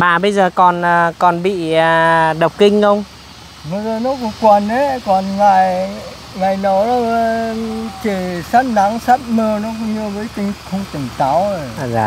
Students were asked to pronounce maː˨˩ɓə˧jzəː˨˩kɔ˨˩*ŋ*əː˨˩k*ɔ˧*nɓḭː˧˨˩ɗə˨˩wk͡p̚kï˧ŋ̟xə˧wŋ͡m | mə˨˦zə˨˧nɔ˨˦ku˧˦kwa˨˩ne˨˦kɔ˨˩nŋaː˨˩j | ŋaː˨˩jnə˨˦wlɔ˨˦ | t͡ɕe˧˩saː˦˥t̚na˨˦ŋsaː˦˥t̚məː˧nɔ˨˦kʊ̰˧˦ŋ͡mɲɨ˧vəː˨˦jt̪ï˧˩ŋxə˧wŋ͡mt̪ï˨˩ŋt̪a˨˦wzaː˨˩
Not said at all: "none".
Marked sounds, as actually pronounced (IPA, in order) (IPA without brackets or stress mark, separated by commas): n, ɔ˨˩